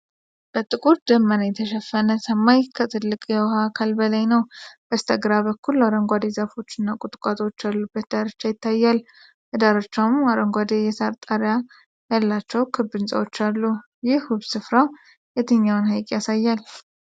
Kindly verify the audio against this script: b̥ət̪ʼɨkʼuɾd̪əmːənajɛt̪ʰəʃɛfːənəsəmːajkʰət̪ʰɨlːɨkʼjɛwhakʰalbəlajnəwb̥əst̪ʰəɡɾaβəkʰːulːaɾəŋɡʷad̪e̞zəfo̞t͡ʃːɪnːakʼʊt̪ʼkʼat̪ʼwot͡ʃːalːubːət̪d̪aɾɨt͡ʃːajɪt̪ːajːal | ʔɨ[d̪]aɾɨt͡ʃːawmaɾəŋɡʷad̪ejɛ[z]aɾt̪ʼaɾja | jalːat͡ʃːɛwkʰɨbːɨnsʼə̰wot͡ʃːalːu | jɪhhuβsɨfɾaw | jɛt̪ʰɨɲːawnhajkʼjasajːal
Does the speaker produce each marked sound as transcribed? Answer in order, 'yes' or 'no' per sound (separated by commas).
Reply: yes, no